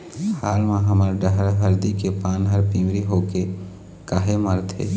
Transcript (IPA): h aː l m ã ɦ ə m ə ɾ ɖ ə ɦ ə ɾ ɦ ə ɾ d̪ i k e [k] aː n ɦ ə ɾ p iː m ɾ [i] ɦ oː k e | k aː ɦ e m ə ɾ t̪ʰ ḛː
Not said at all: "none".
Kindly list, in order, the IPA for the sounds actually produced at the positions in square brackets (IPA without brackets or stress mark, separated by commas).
p, i